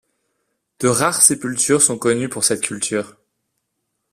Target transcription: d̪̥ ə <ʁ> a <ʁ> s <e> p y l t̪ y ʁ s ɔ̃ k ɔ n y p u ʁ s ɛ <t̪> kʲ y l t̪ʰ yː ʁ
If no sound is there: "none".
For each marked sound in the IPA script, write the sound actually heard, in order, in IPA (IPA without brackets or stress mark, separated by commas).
ʁ, ʁ, e, t̪